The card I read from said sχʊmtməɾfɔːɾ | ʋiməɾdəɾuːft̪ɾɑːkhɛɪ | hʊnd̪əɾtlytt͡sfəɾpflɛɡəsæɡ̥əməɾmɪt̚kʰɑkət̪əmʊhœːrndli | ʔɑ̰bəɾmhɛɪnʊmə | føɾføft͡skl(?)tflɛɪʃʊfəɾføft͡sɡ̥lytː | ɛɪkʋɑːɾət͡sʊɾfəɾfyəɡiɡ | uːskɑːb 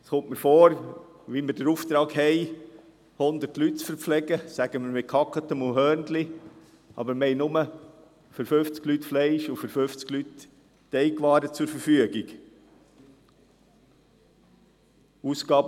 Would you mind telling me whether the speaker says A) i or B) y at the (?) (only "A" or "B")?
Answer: B